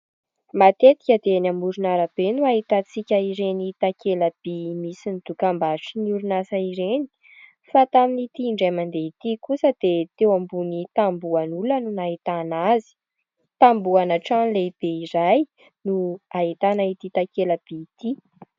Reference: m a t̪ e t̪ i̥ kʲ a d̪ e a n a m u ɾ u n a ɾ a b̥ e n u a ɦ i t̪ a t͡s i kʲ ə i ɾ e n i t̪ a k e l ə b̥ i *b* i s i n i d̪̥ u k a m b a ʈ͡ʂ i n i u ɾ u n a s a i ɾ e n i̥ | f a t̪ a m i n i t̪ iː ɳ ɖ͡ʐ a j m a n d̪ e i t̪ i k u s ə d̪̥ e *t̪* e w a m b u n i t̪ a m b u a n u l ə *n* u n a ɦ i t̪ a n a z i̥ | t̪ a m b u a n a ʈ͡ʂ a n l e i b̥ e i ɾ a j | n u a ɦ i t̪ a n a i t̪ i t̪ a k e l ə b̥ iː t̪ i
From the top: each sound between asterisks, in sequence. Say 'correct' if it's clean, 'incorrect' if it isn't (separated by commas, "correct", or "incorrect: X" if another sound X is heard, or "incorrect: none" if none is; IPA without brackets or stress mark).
incorrect: m, correct, correct